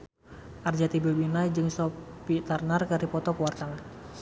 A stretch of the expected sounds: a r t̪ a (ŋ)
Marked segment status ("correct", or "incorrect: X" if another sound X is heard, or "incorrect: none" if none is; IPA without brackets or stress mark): correct